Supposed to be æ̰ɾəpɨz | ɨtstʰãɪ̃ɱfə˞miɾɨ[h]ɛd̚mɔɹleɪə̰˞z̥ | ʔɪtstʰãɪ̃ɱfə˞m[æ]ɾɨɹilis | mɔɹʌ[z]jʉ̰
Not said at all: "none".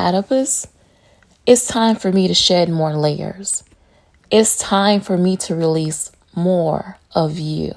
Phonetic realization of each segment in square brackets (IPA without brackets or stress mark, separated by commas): ʃ, i, v